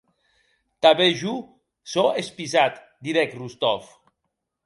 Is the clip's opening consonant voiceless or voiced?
voiceless